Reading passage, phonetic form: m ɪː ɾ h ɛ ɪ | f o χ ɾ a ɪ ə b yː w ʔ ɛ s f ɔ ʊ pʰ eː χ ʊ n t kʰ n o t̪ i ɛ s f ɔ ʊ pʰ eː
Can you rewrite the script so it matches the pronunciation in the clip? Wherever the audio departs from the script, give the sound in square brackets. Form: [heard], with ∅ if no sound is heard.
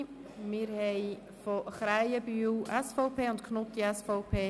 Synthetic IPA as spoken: m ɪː ɾ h ɛ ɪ | f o χ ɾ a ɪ ə b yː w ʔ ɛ s f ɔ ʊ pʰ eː [∅] ʊ n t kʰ n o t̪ i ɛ s f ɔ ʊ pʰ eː